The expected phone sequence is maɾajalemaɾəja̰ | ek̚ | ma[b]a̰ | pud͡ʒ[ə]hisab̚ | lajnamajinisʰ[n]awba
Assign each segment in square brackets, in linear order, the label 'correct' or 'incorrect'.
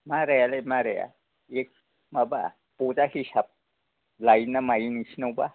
correct, incorrect, correct

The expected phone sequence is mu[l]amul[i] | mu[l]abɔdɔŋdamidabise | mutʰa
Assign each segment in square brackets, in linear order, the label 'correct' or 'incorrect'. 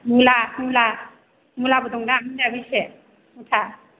correct, incorrect, correct

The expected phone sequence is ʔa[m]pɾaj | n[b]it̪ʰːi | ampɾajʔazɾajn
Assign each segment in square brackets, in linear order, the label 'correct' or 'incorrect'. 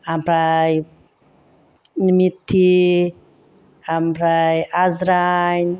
correct, incorrect

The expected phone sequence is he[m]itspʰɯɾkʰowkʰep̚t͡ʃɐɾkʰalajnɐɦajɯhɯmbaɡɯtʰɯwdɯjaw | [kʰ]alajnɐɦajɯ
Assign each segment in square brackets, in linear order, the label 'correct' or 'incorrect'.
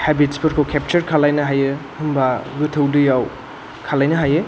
incorrect, correct

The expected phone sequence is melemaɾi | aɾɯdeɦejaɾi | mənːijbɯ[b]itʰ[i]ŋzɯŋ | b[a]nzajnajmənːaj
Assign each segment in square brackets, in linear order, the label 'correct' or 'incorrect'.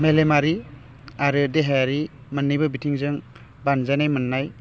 correct, correct, correct

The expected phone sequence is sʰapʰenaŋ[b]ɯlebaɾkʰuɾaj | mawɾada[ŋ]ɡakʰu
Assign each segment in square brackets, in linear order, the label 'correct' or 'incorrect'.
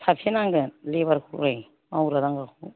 incorrect, correct

